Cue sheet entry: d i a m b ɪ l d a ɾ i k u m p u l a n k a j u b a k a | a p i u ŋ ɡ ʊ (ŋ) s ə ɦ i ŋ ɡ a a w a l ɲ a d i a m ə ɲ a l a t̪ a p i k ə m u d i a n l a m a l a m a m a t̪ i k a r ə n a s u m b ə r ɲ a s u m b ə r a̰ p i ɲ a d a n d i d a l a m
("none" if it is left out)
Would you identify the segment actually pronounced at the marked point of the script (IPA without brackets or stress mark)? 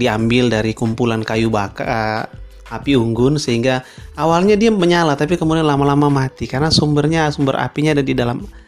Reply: n